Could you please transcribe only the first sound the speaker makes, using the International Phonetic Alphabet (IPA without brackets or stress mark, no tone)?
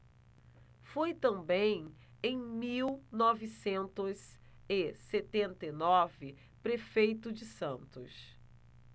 f